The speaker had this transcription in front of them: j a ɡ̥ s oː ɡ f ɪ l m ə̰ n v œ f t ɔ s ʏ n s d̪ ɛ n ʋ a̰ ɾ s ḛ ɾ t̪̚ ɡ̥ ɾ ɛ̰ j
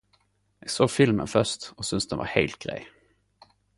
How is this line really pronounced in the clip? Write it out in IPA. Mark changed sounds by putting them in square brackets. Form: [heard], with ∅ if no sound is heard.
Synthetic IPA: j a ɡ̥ s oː ɡ f ɪ l m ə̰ n [f] œ [ʂ] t ɔ s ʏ n s d̪ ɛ n [v] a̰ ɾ [h] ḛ [l] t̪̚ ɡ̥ ɾ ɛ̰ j